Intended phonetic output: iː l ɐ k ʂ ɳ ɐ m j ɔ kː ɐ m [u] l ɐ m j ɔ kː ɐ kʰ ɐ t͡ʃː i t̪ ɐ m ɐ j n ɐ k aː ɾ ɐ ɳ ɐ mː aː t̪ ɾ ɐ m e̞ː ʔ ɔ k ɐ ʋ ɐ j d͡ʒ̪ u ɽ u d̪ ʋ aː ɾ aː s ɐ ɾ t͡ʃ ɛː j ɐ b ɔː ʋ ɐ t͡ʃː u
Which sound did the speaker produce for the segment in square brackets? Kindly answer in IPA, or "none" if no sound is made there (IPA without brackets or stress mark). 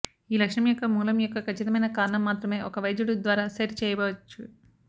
uː